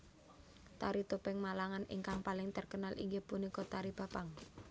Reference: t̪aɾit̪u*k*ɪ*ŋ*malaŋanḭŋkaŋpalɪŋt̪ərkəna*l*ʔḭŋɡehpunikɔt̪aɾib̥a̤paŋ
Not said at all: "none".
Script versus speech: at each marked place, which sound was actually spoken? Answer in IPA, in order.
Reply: p, ŋ, l

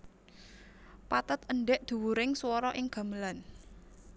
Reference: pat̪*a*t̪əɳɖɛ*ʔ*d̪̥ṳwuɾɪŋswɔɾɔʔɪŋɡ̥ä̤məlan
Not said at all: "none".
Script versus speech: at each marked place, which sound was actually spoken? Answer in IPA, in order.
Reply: ə, ʔ

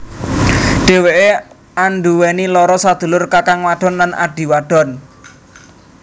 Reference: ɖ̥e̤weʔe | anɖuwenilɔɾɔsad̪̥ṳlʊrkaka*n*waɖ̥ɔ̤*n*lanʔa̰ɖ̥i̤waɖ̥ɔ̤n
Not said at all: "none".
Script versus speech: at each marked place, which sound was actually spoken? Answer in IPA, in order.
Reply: ŋ, n

